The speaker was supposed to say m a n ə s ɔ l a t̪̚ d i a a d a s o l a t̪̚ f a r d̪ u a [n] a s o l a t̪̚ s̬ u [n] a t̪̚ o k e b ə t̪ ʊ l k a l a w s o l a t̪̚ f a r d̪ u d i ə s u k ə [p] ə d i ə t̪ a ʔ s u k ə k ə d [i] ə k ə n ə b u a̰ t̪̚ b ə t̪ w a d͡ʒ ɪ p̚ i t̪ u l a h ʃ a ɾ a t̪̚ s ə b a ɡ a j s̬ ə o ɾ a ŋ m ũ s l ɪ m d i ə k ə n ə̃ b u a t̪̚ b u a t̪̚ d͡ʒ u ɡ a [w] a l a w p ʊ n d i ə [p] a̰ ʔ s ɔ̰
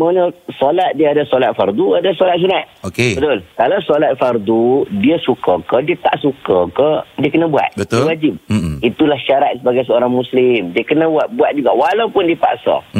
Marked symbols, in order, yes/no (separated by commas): no, yes, no, yes, yes, yes